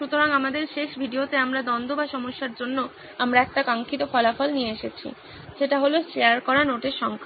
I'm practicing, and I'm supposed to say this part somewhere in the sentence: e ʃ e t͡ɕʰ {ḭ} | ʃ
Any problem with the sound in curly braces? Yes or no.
no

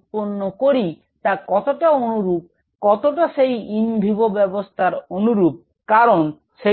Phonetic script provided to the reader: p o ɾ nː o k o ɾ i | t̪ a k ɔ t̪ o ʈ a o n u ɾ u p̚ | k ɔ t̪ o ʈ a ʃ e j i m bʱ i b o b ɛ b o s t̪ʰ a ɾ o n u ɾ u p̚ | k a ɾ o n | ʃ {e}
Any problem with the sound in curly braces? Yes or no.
no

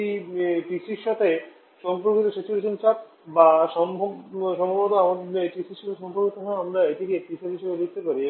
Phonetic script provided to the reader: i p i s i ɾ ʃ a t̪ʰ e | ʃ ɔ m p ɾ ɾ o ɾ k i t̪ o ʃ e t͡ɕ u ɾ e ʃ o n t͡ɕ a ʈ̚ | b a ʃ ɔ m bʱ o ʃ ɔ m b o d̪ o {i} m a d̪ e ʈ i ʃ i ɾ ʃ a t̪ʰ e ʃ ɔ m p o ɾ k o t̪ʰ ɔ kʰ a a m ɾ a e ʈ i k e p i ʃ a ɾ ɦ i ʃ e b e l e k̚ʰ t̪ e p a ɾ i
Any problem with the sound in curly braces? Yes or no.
yes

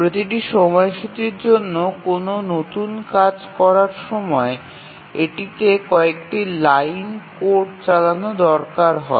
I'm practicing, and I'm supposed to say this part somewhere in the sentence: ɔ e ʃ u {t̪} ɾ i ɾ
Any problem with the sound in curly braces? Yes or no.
no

